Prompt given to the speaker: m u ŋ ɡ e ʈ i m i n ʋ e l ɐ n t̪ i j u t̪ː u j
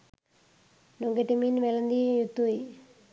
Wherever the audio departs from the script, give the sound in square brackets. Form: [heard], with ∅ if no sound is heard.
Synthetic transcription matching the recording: [n] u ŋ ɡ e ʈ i m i n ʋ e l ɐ n [d̪] i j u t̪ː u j